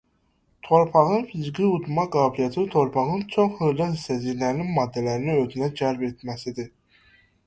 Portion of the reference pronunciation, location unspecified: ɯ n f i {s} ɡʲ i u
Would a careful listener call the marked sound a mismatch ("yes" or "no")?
yes